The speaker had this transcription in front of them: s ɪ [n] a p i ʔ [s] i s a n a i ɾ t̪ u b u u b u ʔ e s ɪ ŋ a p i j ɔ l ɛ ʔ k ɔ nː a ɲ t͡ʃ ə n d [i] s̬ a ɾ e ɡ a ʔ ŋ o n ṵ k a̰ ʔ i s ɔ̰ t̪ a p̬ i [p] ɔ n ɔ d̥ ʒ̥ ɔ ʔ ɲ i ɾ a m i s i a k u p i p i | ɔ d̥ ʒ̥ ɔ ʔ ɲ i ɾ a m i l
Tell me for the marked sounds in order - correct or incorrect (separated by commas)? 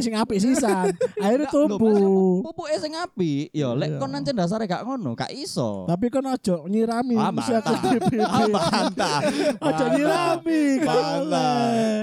incorrect, correct, incorrect, incorrect